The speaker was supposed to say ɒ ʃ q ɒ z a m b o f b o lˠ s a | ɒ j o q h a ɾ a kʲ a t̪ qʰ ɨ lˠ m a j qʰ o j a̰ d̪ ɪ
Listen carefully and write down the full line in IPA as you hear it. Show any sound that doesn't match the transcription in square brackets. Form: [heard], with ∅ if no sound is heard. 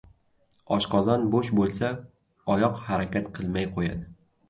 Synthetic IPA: ɒ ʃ q ɒ z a [n] b o [ʃ] b o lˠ s a | ɒ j [ɒ] q h a ɾ a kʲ a t̪ qʰ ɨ lˠ m a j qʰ o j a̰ d̪ ɪ

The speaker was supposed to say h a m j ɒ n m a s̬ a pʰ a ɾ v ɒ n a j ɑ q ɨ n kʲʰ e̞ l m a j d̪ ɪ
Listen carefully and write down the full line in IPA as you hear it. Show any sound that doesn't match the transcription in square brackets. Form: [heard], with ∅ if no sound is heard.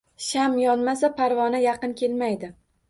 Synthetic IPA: [ʃ] a m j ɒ n m a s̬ a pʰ a ɾ v ɒ n a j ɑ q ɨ n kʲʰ e̞ l m a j d̪ ɪ

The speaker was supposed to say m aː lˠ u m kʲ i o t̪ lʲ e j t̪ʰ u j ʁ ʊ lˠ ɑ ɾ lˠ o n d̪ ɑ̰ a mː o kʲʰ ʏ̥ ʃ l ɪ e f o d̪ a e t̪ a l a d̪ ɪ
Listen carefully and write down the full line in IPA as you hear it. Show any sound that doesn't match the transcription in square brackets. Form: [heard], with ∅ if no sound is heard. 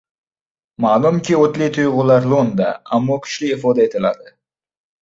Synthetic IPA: m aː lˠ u m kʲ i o t̪ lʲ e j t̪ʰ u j ʁ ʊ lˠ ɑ ɾ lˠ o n d̪ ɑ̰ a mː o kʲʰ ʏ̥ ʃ l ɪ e f o d̪ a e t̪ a l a d̪ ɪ

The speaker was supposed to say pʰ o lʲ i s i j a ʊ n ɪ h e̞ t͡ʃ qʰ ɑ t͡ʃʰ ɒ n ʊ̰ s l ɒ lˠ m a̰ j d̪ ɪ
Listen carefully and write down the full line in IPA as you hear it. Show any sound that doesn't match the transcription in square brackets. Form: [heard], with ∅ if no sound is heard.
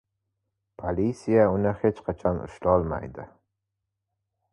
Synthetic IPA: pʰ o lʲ i s i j a ʊ n ɪ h e̞ t͡ʃ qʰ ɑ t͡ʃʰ ɒ n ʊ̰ [ʃ] l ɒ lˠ m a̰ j d̪ ɪ

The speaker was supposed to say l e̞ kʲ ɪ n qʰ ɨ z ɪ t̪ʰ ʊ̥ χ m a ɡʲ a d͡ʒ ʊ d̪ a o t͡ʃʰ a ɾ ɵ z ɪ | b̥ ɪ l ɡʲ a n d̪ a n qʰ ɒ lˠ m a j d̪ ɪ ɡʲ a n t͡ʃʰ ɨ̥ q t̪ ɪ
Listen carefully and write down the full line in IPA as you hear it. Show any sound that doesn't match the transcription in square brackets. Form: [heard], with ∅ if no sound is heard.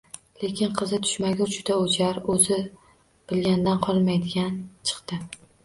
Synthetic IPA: l e̞ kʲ ɪ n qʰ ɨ z ɪ t̪ʰ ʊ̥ [ʃ] m a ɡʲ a d͡ʒ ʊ d̪ a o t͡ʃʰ a ɾ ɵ z ɪ | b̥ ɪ l ɡʲ a n d̪ a n qʰ ɒ lˠ m a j d̪ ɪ ɡʲ a n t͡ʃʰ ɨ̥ q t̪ ɪ

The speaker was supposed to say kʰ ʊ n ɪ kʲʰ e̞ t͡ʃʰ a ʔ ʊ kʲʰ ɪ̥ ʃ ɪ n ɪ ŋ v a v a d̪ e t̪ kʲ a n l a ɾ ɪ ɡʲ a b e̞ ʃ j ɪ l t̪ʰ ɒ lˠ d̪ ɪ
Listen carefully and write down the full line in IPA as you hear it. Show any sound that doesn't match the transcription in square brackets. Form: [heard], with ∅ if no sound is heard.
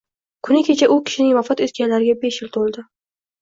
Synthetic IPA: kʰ ʊ n ɪ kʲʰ e̞ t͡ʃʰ a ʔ ʊ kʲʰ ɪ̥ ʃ ɪ n ɪ ŋ v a [f] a [t̪] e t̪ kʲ a n l a ɾ ɪ ɡʲ a b e̞ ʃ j ɪ l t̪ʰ [o] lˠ d̪ ɪ

